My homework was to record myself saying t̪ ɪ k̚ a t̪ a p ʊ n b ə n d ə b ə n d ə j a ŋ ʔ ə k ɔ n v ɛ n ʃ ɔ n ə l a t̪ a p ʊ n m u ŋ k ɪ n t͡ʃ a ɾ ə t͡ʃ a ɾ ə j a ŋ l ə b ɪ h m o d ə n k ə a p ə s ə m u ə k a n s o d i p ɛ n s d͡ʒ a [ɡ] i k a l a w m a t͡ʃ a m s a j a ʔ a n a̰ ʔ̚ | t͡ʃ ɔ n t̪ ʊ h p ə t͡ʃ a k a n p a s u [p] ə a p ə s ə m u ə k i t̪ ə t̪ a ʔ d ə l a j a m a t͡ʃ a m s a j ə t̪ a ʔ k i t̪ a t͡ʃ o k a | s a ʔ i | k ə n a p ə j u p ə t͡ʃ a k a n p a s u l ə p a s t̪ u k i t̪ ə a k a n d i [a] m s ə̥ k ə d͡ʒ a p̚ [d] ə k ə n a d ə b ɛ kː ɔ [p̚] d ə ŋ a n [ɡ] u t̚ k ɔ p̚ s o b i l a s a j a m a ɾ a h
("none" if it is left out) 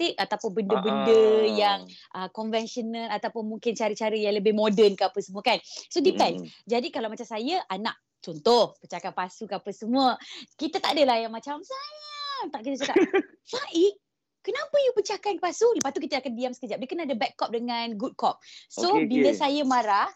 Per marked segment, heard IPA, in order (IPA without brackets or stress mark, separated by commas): d, k, a, d, p̚, ɡ